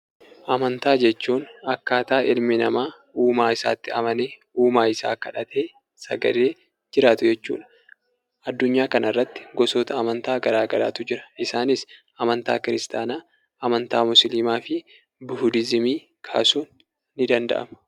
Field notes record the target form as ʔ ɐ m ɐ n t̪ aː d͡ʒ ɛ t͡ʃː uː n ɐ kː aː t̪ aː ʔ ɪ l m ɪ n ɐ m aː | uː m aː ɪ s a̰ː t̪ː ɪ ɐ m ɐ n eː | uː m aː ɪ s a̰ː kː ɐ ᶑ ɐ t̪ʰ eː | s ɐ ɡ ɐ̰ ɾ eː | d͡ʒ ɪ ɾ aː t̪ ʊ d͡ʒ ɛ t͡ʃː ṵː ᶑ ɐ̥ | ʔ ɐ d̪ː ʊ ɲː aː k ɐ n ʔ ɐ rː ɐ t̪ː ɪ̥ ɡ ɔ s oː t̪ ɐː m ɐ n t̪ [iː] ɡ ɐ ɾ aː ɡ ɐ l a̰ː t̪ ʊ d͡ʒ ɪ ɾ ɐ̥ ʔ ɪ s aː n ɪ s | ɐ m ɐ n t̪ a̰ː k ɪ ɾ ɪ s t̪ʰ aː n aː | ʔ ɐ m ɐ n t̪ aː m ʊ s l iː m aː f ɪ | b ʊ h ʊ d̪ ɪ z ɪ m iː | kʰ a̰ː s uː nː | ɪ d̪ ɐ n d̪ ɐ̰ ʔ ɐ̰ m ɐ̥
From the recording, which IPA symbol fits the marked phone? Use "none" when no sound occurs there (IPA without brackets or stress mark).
aː